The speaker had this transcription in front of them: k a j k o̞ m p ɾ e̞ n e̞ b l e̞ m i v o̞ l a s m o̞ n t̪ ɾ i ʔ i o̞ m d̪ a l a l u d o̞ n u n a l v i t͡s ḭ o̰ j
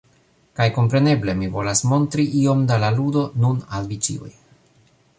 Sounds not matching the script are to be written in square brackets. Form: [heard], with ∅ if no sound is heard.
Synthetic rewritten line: k a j k o̞ m p ɾ e̞ n e̞ b l e̞ m i v o̞ l a s m o̞ n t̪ ɾ i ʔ i o̞ m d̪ a l a l u d o̞ n u n a l v i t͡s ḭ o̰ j